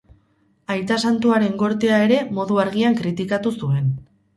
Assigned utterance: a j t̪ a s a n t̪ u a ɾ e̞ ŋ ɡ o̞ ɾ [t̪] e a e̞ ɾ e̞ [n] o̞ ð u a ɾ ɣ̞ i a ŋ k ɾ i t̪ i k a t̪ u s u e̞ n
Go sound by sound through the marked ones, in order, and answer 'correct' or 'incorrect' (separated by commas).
correct, incorrect